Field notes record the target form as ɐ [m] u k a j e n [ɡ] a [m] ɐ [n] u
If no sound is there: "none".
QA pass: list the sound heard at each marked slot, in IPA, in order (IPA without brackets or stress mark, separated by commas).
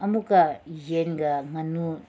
m, ɡ, m, n